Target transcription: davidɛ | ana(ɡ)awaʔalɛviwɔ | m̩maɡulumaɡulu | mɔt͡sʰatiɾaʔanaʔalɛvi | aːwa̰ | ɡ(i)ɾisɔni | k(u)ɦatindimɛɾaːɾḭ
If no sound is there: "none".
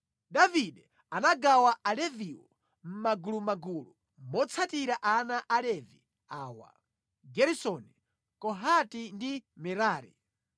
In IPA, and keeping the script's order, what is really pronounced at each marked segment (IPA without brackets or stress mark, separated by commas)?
ɡ, ɛ, ɔ